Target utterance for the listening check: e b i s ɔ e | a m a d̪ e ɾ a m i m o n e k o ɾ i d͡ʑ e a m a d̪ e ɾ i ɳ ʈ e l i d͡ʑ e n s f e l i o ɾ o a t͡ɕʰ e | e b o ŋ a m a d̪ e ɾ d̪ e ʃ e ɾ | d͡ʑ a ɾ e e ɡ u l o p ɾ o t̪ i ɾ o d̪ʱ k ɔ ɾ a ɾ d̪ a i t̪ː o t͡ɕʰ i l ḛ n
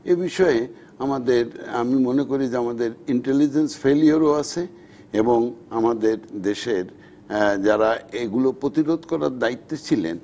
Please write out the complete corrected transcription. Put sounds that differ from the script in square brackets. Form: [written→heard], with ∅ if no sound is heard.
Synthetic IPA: e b i [s→ʃ] ɔ e | a m a d̪ e ɾ a m i m o n e k o ɾ i d͡ʑ e a m a d̪ e ɾ i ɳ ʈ e l i d͡ʑ e n s f e l i o ɾ o a t͡ɕʰ e | e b o ŋ a m a d̪ e ɾ d̪ e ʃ e ɾ | d͡ʑ a ɾ [e→a] e ɡ u l o p ɾ o t̪ i ɾ o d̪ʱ k ɔ ɾ a ɾ d̪ a i t̪ː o t͡ɕʰ i l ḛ n